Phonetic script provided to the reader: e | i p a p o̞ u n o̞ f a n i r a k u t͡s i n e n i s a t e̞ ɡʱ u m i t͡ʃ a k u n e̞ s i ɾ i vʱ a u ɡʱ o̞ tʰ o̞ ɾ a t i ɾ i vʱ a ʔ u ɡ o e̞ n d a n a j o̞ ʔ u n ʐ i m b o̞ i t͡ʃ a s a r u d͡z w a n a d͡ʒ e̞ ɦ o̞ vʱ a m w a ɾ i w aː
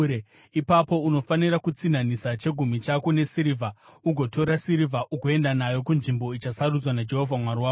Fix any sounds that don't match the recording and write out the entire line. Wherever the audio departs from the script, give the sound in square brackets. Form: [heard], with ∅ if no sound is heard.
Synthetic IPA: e | i p a p o̞ u n o̞ f a n i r a k u t͡s i n [a] n i s a [t͡ʃ] e̞ ɡʱ u m i t͡ʃ a k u n e̞ s i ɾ i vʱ a u ɡʱ o̞ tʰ o̞ ɾ a [s] i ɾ i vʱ a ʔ u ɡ o e̞ n d a n a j o̞ [k] u n ʐ i m b o̞ i t͡ʃ a s a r u d͡z w a n a d͡ʒ e̞ ɦ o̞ vʱ a m w a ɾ i w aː